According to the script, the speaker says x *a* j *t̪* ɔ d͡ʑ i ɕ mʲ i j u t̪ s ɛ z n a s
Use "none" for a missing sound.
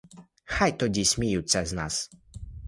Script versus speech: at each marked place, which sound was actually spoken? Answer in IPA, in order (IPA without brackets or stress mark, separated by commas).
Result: a, t̪